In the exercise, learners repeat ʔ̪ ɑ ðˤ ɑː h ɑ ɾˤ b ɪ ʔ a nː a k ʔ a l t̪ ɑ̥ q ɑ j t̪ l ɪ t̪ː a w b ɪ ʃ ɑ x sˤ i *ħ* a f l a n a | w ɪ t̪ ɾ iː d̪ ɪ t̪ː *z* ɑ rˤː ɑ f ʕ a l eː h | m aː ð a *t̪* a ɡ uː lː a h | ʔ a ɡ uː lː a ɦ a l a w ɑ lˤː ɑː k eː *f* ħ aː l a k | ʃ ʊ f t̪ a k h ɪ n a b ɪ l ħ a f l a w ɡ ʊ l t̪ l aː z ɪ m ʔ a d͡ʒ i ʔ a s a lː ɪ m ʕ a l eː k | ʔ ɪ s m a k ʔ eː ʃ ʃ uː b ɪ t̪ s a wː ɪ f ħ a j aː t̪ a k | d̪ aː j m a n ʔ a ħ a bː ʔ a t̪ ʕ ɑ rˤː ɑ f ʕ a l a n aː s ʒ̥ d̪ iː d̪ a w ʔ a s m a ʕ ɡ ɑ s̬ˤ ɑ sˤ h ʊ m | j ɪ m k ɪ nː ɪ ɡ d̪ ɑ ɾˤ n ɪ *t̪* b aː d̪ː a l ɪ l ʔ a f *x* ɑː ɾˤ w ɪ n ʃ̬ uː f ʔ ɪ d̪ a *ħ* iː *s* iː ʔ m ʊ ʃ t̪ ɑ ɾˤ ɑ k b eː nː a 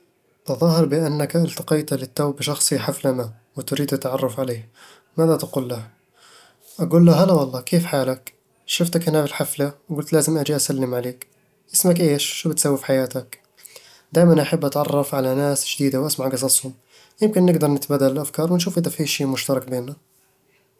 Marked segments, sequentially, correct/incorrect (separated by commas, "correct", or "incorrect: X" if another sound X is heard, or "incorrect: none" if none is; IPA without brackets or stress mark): correct, incorrect: ʕ, correct, correct, correct, incorrect: k, incorrect: f, incorrect: ʃ